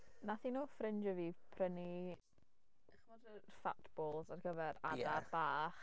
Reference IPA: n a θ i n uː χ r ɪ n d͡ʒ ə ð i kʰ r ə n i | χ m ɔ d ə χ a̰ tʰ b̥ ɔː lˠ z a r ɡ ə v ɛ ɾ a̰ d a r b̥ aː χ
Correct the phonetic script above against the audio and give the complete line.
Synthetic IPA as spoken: n a θ i n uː f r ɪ n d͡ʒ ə v i pʰ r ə n i | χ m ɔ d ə f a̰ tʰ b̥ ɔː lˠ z a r ɡ ə v ɛ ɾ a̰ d a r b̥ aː χ